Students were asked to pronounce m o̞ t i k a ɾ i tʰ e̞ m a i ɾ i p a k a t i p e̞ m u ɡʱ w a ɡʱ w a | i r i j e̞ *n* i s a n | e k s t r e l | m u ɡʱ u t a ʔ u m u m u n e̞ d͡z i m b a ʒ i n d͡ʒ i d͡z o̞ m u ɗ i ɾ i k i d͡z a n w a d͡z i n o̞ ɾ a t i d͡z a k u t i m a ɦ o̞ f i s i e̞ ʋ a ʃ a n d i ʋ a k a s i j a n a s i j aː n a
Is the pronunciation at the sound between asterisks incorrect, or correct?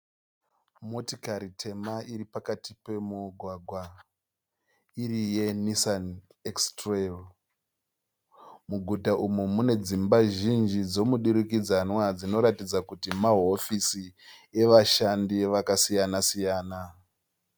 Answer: correct